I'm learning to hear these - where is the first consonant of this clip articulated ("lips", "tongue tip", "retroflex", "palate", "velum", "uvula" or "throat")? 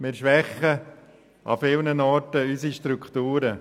lips